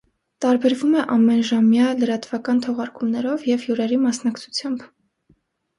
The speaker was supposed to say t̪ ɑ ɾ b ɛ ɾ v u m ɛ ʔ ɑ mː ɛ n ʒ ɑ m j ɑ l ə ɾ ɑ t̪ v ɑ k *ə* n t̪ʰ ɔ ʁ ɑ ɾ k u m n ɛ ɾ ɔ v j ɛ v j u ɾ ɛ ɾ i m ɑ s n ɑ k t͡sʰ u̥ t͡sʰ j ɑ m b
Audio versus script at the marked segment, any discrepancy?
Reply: yes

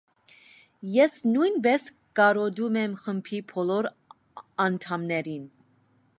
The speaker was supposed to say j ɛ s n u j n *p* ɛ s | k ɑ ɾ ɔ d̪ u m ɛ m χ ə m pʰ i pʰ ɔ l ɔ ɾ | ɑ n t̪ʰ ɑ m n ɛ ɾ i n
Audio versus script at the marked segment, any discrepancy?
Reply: yes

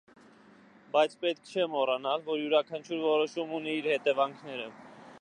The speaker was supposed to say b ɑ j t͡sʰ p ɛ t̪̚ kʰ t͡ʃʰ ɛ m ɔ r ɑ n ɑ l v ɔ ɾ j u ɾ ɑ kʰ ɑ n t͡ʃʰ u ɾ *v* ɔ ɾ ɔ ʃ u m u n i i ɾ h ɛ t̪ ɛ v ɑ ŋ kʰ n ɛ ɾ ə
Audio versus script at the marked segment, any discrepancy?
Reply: no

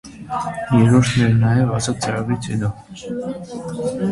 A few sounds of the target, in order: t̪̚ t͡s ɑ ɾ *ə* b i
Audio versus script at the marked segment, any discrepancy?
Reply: yes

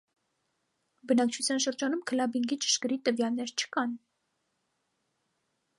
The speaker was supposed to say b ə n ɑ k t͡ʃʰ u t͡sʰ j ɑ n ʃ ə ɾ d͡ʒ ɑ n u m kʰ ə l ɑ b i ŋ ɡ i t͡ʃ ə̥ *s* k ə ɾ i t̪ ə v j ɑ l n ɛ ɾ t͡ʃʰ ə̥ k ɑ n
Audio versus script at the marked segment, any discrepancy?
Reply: yes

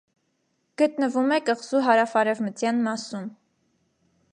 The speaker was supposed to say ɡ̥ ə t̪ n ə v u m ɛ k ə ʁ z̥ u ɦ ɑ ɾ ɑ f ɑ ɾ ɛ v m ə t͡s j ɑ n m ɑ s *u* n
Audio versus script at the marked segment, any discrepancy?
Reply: no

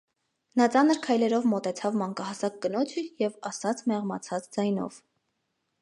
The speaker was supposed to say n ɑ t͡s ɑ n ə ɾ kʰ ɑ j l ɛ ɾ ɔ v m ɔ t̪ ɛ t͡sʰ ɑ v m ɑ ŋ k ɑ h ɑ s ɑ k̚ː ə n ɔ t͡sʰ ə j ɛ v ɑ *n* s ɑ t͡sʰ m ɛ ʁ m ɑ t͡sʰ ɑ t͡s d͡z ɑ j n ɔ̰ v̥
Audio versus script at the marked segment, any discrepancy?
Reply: yes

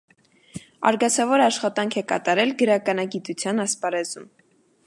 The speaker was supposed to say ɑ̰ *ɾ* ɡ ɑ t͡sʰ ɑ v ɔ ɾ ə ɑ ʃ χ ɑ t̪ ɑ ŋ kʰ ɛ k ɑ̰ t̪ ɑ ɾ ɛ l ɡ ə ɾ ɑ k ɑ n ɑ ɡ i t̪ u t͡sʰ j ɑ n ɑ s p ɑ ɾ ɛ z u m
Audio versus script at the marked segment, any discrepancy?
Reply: no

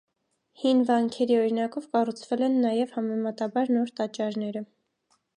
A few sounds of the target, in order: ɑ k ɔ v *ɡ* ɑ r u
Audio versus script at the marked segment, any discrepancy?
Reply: yes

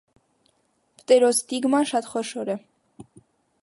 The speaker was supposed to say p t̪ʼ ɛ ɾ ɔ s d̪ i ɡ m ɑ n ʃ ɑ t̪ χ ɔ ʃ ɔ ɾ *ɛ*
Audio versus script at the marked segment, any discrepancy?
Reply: no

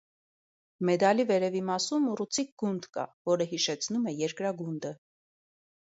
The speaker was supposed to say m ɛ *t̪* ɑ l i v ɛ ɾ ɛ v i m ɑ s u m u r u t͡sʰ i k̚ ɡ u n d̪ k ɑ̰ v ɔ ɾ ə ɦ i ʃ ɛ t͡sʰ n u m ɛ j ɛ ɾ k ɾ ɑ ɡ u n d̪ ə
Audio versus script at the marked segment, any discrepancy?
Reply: yes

